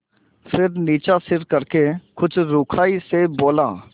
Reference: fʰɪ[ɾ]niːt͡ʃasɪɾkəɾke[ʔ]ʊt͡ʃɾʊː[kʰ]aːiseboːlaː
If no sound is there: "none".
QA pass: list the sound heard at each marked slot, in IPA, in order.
ɾ, k, kʰ

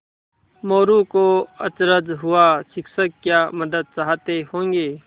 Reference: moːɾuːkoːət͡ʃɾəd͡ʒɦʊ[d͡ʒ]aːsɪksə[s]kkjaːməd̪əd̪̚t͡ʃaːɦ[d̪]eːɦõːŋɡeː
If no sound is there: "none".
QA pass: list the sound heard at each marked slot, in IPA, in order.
none, none, t̪

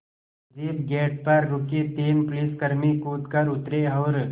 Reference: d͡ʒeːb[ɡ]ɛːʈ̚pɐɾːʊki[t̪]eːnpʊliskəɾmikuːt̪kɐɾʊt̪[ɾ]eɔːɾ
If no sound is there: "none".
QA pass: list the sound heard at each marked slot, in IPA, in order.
ɡ, t̪, ɾ

